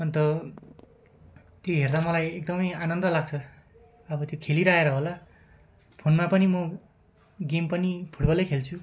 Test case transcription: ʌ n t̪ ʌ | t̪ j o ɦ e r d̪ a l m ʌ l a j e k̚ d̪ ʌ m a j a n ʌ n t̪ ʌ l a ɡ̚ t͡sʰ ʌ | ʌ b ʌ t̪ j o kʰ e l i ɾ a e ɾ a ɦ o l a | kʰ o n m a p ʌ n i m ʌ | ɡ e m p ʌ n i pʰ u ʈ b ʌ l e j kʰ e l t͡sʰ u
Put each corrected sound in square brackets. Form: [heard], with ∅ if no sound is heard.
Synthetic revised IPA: ʌ n t̪ ʌ | t̪ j o ɦ e r d̪ a [∅] m ʌ l a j e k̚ d̪ ʌ m [ʌ] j a n ʌ n [d̪] ʌ l a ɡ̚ t͡sʰ ʌ | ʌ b ʌ t̪ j o kʰ e l i ɾ a e ɾ [ʌ] ɦ o l a | [pʰ] o n m a p ʌ n i m ʌ | ɡ e m p ʌ n i pʰ u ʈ b ʌ l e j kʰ e l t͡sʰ u